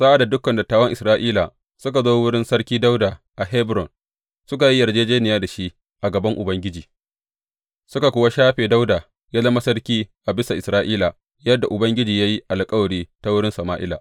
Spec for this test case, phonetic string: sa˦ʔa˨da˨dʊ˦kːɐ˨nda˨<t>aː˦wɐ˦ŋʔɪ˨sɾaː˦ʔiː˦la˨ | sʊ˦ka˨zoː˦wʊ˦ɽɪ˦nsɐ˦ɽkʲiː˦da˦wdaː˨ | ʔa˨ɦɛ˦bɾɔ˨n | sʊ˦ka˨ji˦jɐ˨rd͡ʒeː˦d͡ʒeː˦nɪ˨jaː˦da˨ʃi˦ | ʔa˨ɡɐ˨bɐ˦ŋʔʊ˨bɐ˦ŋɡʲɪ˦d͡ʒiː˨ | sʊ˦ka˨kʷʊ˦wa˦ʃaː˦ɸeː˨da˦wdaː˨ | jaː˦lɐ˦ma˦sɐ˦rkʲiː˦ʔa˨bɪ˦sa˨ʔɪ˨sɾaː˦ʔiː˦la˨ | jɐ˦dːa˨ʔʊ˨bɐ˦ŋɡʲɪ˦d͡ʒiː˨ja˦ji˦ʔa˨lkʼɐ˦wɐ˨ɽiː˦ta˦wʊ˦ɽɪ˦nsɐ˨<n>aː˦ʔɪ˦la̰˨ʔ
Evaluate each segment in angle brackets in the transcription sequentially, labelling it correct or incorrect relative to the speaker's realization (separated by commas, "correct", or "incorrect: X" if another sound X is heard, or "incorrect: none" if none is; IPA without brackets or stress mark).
correct, incorrect: m